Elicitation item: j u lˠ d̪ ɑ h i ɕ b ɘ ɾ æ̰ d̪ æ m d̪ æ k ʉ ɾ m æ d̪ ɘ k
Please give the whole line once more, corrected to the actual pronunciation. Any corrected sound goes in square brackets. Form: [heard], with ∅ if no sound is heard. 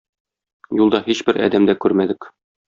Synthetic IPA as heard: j u lˠ d̪ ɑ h i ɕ b ɘ ɾ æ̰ d̪ æ m d̪ æ k ʉ ɾ m æ d̪ ɘ k